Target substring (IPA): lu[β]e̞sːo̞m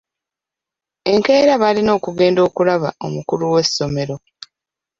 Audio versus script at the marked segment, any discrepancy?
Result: yes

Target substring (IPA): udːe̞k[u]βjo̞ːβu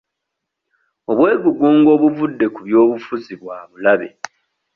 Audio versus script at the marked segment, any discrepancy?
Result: no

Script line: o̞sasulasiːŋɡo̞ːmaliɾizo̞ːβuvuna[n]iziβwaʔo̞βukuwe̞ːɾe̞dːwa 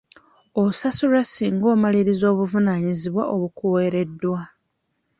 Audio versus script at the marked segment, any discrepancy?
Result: yes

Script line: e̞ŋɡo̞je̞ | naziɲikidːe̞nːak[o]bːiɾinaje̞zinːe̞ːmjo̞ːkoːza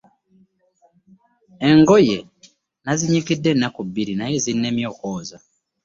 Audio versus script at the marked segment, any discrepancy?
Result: yes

